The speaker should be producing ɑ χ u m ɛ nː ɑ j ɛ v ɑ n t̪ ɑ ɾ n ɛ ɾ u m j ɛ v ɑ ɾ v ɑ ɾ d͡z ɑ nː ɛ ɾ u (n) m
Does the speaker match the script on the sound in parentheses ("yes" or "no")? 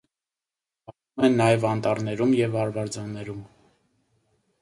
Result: no